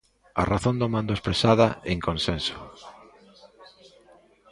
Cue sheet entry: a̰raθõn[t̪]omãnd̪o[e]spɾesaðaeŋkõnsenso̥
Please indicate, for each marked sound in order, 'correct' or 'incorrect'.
incorrect: d̪, correct

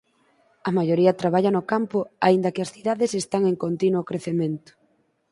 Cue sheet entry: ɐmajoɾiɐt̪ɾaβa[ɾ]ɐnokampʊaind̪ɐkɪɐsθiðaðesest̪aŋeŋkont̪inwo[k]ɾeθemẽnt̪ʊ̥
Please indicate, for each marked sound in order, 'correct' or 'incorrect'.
incorrect: ʎ, correct

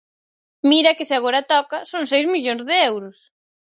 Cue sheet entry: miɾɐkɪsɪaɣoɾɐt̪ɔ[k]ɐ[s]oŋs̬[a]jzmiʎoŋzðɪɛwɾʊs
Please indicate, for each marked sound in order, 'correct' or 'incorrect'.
correct, correct, incorrect: e

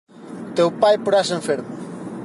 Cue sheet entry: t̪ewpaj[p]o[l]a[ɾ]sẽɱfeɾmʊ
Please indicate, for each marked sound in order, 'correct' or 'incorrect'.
correct, incorrect: ɾ, incorrect: none

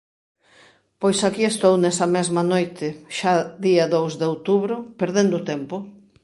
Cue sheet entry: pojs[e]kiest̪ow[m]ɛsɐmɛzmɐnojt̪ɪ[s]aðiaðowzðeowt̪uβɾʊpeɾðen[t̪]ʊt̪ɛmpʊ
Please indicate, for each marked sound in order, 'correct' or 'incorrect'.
incorrect: a, incorrect: n, incorrect: ʃ, incorrect: d̪

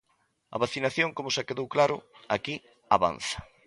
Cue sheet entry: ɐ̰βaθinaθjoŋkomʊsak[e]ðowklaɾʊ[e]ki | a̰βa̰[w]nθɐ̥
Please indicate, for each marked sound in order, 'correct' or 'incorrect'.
correct, incorrect: a, incorrect: none

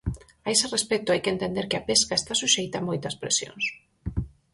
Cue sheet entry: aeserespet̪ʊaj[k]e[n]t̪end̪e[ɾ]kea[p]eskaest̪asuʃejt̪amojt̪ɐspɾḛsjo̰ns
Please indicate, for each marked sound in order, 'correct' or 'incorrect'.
correct, correct, correct, correct

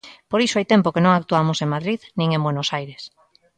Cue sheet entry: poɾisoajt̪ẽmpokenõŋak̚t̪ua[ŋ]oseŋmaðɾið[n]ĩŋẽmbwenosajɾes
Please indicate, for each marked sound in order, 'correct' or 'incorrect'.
incorrect: m, correct

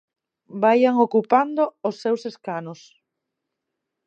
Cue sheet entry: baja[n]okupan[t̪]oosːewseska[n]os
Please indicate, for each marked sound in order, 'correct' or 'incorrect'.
incorrect: ŋ, incorrect: d̪, correct

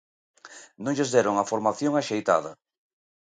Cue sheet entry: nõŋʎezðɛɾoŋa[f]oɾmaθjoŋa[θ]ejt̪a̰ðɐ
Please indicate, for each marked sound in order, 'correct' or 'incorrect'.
correct, incorrect: ʃ

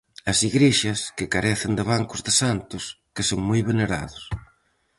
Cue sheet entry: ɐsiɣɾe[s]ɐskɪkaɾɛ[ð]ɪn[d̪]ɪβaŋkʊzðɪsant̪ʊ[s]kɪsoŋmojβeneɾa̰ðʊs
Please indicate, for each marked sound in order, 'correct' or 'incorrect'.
incorrect: ʃ, incorrect: θ, correct, correct

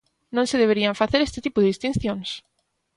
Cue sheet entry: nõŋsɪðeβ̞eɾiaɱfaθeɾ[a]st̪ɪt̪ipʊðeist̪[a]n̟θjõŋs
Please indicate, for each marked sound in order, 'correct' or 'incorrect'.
incorrect: e, incorrect: i

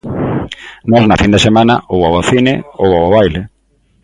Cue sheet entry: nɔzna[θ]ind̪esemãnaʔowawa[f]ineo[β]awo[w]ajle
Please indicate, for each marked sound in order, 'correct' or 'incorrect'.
incorrect: f, incorrect: θ, incorrect: w, incorrect: β

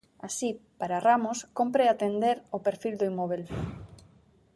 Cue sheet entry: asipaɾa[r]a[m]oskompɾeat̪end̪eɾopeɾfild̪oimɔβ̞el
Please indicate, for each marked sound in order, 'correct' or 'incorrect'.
correct, correct

